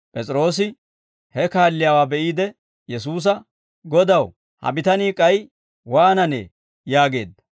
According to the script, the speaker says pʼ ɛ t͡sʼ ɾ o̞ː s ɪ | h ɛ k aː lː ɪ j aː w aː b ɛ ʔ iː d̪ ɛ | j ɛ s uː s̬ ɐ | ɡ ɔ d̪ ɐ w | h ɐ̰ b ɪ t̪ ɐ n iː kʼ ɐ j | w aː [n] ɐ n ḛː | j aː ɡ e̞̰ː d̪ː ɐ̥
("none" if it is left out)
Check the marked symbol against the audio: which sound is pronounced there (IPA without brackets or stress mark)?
n